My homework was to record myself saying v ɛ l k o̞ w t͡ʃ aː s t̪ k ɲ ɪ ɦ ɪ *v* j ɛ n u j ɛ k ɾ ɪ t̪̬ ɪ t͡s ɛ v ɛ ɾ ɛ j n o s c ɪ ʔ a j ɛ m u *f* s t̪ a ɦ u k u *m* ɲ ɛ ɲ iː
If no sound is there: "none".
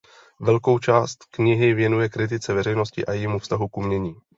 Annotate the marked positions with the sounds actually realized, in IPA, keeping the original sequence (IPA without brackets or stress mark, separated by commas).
v, f, m